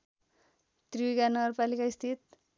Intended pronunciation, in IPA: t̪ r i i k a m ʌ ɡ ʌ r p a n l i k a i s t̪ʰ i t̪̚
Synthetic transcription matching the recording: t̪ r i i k a n ʌ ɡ ʌ r p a l i k a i s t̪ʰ i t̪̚